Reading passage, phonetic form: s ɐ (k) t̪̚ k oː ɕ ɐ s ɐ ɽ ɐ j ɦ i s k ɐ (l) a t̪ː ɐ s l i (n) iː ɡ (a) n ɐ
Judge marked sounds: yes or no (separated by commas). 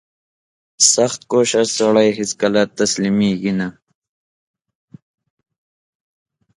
no, yes, no, no